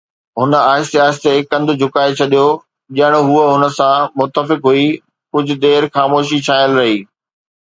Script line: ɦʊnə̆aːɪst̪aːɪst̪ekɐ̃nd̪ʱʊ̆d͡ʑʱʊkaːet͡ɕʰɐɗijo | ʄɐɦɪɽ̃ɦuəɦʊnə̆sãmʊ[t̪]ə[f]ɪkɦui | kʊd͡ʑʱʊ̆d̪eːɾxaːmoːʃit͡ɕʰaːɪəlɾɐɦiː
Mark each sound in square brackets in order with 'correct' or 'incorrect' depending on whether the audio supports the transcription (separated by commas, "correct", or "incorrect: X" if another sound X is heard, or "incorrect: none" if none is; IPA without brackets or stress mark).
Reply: correct, correct